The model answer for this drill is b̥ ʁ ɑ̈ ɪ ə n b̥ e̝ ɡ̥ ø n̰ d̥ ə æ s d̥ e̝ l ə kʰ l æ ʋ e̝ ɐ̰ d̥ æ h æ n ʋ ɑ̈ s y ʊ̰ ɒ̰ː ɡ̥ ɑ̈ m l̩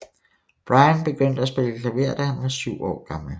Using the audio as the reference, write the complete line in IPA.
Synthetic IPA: b̥ ʁ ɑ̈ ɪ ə n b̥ e̝ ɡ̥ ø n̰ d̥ ə æ s b̥ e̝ l ə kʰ l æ ʋ e̝ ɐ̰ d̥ æ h æ n ʋ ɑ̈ s y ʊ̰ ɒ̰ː ɡ̥ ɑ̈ m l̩